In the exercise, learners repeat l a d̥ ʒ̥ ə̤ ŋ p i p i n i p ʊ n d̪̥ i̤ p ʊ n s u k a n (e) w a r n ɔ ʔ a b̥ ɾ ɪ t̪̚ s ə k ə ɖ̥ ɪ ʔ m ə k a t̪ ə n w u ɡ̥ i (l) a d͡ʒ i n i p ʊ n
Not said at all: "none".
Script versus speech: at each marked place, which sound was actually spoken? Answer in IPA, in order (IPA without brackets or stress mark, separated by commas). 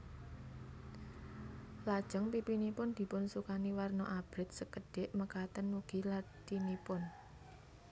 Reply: i, l